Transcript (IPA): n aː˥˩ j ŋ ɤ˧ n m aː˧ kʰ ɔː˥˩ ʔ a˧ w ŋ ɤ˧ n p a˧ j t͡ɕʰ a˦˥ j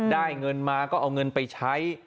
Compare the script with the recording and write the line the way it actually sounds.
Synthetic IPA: d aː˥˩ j ŋ ɤ˧ n m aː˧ k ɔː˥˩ ʔ a˧ w ŋ ɤ˧ n p a˧ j t͡ɕʰ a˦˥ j